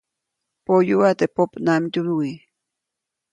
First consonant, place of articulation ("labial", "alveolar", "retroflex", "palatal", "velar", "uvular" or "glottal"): labial